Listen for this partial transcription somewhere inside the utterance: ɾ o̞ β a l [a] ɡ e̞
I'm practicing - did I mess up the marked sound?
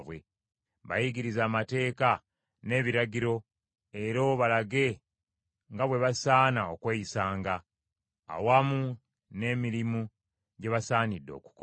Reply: no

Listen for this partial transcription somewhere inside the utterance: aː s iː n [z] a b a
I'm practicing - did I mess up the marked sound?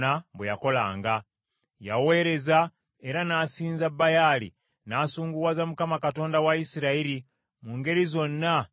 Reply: no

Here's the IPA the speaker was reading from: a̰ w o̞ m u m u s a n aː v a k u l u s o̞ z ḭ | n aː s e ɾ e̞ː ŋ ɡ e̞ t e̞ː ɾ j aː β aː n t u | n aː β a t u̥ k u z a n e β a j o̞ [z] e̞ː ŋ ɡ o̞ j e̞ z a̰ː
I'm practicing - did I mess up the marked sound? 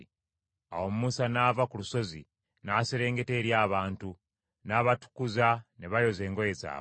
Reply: no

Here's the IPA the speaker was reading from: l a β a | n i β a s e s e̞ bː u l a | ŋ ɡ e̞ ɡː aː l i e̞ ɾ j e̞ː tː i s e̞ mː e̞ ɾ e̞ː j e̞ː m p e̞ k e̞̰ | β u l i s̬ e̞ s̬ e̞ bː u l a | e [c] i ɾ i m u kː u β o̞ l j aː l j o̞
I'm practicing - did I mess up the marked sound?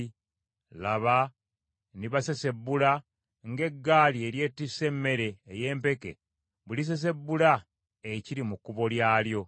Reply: no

